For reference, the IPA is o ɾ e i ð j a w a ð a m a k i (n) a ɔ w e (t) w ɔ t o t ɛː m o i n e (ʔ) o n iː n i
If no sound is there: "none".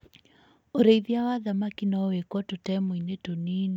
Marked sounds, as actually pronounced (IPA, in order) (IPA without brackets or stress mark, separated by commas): n, k, t